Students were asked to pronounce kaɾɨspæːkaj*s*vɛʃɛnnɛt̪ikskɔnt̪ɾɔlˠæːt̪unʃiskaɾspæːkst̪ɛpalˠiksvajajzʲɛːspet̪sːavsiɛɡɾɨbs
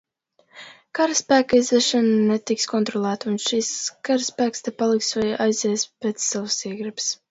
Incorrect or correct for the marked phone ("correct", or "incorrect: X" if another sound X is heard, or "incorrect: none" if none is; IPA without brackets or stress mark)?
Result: incorrect: z